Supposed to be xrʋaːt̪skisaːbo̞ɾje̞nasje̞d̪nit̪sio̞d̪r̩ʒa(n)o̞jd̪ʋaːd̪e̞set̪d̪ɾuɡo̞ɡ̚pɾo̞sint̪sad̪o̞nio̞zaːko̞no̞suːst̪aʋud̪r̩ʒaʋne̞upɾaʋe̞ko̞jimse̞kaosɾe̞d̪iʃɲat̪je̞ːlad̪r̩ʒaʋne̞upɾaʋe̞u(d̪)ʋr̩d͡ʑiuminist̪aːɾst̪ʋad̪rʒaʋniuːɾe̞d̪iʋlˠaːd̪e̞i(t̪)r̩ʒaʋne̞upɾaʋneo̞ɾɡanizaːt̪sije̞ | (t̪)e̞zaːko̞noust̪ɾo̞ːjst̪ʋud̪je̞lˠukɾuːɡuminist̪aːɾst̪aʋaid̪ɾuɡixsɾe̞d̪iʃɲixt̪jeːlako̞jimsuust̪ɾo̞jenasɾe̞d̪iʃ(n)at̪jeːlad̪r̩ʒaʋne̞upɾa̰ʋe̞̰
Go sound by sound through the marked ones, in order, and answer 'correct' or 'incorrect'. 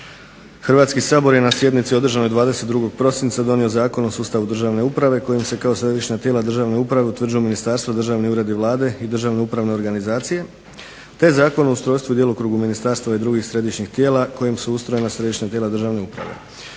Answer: correct, incorrect: t̪, incorrect: d̪, correct, incorrect: ɲ

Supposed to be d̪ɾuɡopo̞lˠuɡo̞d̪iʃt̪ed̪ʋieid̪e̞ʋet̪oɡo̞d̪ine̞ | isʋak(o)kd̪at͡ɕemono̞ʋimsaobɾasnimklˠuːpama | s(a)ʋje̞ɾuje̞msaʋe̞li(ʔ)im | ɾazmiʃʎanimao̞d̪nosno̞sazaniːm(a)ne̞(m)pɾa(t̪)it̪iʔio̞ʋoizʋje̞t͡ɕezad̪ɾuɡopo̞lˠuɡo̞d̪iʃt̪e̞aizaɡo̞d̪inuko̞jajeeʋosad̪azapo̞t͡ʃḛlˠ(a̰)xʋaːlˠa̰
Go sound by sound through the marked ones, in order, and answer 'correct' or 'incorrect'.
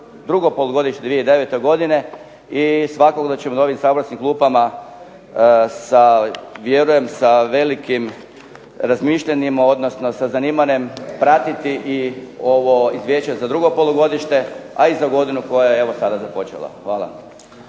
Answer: correct, correct, incorrect: k, correct, correct, correct, correct

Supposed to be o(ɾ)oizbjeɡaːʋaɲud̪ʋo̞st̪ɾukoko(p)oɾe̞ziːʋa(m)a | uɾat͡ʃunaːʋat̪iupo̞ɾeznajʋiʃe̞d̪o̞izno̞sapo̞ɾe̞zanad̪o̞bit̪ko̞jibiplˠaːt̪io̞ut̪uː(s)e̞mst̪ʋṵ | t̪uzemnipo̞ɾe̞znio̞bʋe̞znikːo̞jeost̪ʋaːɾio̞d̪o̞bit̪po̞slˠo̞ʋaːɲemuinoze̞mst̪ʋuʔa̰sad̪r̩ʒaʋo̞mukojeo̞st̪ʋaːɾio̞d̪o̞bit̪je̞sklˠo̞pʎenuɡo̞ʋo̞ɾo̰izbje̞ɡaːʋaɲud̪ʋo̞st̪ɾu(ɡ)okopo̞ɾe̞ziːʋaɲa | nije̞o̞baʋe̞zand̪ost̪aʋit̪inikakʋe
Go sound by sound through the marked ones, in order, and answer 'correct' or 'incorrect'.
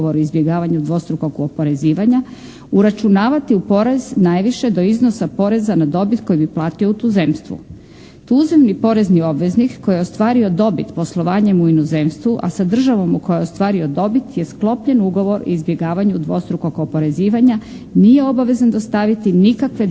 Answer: correct, correct, incorrect: ɲ, incorrect: z, incorrect: k

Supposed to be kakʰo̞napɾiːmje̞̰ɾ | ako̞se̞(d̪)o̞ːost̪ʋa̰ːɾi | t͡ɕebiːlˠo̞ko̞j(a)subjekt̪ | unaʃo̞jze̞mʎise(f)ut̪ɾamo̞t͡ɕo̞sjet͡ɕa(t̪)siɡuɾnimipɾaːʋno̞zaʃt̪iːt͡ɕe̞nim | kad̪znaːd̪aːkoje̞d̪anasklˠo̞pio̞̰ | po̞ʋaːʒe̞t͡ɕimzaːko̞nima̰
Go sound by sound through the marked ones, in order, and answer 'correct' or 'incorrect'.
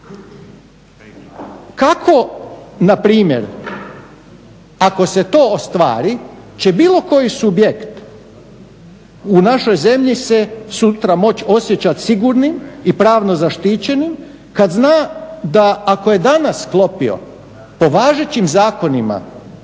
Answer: incorrect: t̪, incorrect: i, incorrect: s, correct

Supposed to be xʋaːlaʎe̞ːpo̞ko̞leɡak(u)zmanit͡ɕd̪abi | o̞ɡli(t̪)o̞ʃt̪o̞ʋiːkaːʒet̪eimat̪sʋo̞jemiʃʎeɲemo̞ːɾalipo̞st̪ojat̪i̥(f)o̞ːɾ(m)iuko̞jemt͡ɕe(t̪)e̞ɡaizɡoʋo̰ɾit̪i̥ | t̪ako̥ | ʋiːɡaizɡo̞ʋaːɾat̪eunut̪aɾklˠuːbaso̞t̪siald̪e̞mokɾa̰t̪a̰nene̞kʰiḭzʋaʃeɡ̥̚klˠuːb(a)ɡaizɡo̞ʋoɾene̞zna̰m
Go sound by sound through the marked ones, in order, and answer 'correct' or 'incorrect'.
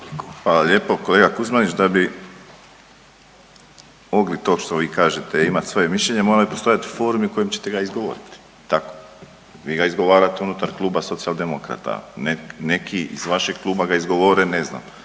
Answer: correct, correct, correct, correct, correct, correct

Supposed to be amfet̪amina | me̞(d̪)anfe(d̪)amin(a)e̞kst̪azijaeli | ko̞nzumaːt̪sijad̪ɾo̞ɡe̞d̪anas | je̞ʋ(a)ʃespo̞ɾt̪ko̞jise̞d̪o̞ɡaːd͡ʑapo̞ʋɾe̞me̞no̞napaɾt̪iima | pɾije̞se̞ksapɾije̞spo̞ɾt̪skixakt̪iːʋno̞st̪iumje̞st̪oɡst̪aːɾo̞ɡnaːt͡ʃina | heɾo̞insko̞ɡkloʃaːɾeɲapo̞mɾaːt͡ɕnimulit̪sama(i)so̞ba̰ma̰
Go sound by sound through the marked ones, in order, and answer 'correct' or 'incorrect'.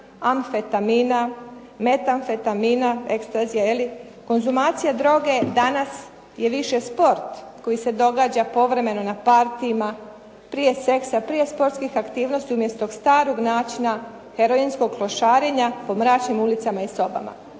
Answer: incorrect: t̪, incorrect: t̪, correct, incorrect: i, correct

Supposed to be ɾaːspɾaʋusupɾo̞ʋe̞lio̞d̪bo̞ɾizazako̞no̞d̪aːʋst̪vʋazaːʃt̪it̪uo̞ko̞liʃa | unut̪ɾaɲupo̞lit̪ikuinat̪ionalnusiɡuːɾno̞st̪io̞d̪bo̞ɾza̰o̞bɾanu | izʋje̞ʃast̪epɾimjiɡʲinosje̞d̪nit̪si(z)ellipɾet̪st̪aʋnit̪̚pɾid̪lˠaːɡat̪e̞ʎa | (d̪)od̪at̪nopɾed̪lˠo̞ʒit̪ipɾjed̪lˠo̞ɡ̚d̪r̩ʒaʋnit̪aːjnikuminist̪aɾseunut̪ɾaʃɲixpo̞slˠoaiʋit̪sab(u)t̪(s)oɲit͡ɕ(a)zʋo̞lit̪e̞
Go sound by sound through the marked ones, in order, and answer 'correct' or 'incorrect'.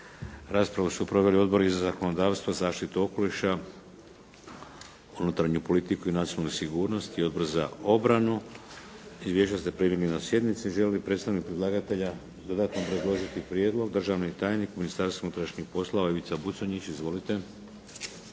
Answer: incorrect: ʒ, correct, correct, correct, incorrect: i

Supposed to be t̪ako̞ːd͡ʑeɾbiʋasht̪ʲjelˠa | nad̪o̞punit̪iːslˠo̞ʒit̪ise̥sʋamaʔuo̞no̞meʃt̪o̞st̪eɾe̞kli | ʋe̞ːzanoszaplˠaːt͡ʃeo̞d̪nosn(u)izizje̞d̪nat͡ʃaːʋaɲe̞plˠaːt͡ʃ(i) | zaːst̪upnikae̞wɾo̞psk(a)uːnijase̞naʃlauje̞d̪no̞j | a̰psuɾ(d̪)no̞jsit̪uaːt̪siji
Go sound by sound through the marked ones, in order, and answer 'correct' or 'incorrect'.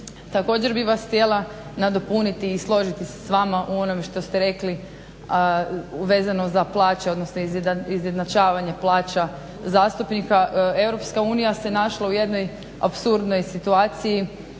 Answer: incorrect: o, incorrect: a, correct, correct

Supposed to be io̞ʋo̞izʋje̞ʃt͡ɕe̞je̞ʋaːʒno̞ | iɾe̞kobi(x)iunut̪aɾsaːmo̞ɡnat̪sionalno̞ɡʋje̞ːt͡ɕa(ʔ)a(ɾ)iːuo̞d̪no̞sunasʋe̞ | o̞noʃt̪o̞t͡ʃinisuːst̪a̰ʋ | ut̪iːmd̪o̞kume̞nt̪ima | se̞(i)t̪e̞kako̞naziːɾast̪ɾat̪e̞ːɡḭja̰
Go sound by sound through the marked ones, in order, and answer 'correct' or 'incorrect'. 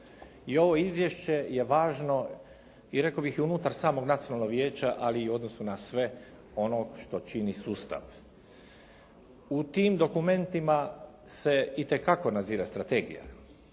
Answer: correct, correct, incorrect: l, correct

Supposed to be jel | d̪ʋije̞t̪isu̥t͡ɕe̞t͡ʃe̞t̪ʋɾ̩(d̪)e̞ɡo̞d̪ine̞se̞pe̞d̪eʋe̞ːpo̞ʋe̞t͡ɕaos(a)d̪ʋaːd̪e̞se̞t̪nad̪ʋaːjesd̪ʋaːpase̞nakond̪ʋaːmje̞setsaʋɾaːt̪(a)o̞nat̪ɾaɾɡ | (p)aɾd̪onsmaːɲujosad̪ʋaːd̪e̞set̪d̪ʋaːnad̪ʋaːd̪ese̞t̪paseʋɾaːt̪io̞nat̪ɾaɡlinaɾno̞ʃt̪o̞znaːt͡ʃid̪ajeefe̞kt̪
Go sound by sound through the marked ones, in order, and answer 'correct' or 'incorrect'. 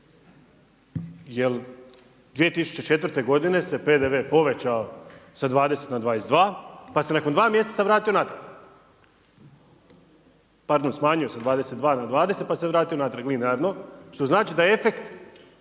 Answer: incorrect: t̪, correct, incorrect: i, correct

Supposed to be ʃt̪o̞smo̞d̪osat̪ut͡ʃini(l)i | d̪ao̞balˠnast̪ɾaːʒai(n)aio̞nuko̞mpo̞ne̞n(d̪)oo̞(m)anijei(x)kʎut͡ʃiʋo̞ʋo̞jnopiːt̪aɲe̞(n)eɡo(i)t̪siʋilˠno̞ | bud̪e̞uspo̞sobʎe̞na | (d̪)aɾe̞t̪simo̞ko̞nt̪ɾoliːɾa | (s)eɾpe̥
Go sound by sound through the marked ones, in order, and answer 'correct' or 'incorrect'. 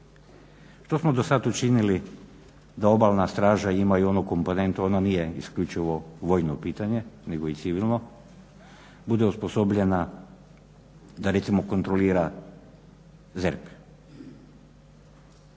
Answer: correct, incorrect: m, incorrect: t̪, incorrect: n, incorrect: s, correct, correct, correct, incorrect: z

